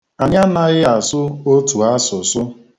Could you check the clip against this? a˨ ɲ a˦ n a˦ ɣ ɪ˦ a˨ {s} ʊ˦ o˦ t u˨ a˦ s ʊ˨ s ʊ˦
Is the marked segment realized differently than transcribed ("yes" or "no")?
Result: no